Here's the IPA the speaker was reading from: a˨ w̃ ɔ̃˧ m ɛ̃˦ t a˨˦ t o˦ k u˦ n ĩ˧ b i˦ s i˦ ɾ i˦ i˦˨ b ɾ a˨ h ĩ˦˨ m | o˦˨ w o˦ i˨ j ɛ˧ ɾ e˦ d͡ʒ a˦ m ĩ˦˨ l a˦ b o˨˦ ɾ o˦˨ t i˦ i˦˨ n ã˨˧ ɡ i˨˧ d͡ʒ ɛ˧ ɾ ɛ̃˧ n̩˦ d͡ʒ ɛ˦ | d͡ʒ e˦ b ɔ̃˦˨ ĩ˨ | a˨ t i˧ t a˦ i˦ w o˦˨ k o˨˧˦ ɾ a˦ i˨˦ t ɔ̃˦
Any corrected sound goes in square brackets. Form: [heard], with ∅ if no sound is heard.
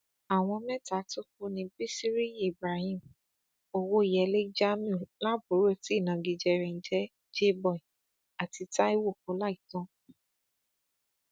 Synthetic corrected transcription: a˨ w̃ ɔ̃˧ m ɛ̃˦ t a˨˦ t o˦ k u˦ n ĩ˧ b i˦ s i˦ ɾ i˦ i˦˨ b ɾ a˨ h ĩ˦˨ m | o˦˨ w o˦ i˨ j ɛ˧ [l] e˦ d͡ʒ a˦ m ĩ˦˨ l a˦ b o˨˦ ɾ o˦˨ t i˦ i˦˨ n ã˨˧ ɡ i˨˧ d͡ʒ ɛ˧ ɾ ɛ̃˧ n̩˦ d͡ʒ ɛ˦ | d͡ʒ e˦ b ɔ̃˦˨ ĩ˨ | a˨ t i˧ t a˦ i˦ w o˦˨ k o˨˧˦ [l] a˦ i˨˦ t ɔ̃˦